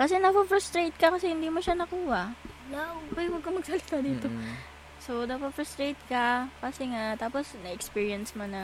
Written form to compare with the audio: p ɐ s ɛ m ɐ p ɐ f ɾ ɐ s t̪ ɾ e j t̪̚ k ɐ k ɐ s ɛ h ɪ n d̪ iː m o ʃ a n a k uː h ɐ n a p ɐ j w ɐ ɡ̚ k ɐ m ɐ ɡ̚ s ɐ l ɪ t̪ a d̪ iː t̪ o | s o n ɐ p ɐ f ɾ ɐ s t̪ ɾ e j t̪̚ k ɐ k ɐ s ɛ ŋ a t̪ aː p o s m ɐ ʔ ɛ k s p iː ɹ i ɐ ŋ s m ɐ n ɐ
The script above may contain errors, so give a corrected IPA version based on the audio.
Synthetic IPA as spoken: k ɐ s ɛ n ɐ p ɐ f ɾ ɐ s t̪ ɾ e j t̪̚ k ɐ k ɐ s ɛ h ɪ n d̪ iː m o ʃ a n ɐ k uː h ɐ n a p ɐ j w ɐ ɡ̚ k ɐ m ɐ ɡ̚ s ɐ l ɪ t̪ a d̪ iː t̪ o | s o n ɐ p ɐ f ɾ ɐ s t̪ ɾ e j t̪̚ k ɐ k ɐ s ɛ ŋ a t̪ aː p o s n ɐ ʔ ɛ k s p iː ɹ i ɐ n s m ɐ n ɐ